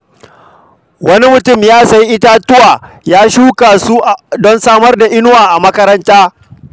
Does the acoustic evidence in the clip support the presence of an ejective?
no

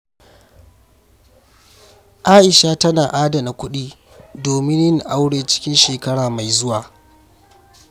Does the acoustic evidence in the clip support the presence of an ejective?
no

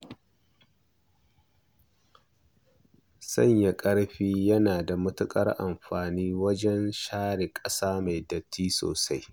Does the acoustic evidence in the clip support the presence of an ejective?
yes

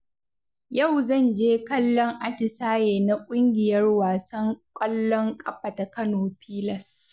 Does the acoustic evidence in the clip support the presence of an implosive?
no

